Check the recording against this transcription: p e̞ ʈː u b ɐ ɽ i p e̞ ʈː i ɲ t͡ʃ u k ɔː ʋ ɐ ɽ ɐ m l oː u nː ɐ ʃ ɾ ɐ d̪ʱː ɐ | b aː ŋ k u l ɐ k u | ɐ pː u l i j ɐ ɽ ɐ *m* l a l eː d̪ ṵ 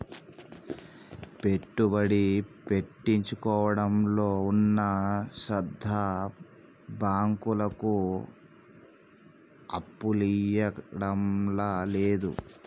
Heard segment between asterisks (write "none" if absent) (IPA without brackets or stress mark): m